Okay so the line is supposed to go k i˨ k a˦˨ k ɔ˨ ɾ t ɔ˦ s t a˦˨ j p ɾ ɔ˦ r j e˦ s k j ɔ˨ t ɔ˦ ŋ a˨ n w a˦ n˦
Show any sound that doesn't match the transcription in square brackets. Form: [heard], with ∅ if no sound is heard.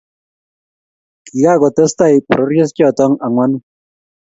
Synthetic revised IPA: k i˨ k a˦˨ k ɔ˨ [∅] t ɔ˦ s t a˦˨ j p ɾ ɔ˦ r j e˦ s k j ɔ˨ t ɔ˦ ŋ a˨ [ŋ] w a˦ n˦